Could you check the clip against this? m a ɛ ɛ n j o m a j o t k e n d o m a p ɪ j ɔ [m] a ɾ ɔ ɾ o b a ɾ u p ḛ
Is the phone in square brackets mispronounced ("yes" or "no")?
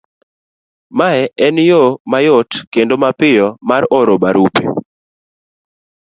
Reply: no